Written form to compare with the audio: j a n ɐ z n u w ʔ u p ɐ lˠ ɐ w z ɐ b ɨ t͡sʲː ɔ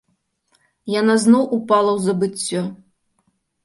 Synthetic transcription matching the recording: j a n a z n ɔ w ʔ u p a lˠ ɐ w z ɐ b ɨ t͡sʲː ɔ